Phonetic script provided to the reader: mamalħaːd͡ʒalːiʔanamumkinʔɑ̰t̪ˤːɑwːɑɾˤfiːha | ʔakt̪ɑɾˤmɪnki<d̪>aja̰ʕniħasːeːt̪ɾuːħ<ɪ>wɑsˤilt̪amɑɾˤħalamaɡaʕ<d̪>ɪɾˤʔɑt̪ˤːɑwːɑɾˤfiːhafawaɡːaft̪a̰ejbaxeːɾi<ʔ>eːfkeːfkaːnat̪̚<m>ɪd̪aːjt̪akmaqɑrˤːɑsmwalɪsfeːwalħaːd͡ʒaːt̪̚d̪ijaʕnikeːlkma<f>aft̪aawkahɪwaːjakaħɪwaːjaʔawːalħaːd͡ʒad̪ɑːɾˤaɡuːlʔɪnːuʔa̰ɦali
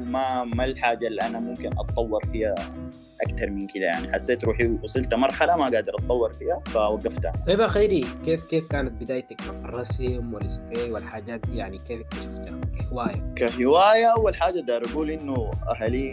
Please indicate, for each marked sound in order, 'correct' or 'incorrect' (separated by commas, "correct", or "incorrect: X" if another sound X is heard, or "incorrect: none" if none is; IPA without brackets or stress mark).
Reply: correct, incorrect: i, correct, incorrect: k, incorrect: b, incorrect: ʃ